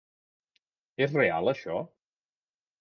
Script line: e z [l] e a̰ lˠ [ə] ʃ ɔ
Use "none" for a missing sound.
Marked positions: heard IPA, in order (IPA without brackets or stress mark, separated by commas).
r, ə